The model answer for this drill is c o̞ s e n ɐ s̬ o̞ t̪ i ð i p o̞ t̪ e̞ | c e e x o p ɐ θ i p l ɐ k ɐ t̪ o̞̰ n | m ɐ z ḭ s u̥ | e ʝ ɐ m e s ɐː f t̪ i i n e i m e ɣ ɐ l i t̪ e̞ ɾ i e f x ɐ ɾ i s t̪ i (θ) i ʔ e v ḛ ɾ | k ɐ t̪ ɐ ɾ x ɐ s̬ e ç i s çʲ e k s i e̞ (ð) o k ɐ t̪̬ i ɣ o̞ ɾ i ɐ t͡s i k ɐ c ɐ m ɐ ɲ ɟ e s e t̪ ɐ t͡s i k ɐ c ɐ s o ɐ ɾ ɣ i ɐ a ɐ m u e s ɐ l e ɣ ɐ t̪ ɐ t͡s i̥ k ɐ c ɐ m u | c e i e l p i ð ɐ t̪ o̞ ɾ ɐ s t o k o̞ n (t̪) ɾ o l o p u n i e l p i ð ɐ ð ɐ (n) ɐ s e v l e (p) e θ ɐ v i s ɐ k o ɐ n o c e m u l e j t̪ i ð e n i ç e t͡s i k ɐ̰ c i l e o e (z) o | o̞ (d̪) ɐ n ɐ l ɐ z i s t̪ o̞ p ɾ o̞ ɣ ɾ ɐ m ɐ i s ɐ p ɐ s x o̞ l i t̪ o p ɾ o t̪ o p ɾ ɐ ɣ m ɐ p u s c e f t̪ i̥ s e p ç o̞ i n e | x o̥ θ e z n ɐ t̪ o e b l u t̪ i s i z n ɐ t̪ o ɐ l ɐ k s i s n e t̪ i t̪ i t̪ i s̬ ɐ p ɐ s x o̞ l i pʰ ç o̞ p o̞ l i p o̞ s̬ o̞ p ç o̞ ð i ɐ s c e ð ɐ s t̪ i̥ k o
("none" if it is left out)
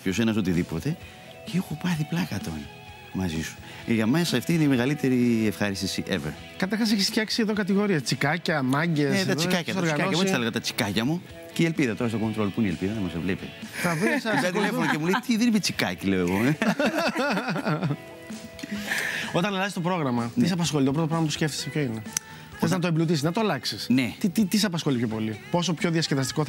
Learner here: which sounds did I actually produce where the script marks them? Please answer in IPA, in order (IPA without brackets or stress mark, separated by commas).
s, ð, t̪, m, p, ɣ, t̪